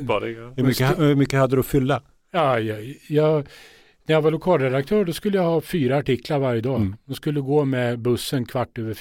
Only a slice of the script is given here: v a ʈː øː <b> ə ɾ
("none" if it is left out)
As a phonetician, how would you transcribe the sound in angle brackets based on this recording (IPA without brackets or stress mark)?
v